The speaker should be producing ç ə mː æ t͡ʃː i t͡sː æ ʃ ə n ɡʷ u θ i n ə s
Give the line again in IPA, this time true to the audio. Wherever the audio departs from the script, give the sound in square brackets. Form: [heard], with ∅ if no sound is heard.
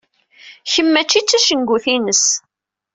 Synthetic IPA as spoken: ç ə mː æ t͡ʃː i t͡sː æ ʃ ə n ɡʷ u θ i n ə s